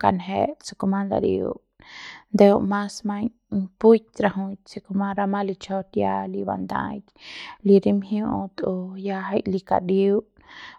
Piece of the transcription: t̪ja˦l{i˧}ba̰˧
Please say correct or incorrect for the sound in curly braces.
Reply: correct